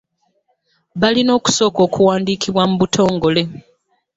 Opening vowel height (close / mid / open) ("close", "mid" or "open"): open